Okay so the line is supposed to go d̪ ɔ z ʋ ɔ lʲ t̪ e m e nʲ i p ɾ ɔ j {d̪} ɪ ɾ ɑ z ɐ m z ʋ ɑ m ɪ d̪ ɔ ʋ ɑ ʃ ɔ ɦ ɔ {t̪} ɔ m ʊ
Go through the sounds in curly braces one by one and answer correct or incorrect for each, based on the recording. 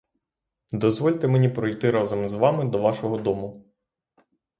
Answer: incorrect: t̪, incorrect: d̪

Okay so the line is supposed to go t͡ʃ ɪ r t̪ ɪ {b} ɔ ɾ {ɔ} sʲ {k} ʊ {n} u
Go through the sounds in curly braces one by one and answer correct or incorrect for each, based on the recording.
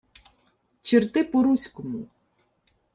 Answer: incorrect: p, incorrect: u, correct, incorrect: m

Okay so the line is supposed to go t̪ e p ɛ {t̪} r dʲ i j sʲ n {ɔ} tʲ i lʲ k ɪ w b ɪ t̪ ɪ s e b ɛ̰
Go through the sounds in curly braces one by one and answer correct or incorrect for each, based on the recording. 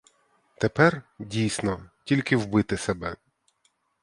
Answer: incorrect: none, correct

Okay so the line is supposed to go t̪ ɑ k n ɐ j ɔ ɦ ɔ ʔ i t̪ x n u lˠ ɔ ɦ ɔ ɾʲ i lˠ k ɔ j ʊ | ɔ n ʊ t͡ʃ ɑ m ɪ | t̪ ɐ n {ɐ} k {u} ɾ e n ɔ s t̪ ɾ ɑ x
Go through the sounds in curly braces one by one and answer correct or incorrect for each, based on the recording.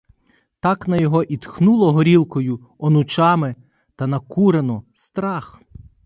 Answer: correct, correct

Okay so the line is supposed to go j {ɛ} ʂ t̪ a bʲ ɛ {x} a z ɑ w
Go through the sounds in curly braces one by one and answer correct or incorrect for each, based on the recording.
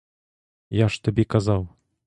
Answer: incorrect: a, incorrect: k

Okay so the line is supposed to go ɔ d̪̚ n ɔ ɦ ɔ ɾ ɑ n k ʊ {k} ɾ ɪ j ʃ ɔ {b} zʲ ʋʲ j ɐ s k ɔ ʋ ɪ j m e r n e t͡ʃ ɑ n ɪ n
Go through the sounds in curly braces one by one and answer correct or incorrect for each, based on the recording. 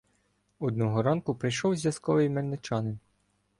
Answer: incorrect: p, incorrect: w

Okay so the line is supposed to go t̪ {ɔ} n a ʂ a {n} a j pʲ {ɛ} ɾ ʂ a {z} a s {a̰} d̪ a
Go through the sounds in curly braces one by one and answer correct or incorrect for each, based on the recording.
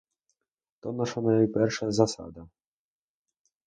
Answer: correct, correct, correct, correct, correct

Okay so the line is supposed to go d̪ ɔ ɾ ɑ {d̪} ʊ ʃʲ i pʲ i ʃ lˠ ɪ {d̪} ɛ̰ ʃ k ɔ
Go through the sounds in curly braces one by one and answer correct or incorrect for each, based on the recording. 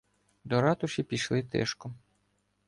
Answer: incorrect: t̪, incorrect: t̪

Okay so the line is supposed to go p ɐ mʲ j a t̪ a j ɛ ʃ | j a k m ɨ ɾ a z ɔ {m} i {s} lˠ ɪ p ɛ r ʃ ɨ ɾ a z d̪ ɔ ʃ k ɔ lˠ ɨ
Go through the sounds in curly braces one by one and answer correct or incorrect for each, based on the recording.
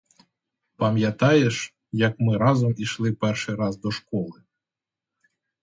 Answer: correct, incorrect: ʃ

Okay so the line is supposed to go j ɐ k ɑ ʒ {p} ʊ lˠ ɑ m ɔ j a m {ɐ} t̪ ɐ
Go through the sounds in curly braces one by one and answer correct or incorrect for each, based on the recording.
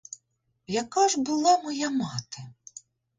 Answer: incorrect: b, incorrect: ɑ

